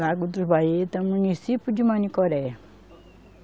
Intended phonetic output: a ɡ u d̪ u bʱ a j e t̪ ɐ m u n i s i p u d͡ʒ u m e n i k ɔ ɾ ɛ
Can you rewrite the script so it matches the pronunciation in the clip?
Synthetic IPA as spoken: a ɡ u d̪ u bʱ a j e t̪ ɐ m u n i s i p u d͡ʒ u m a n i k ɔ ɾ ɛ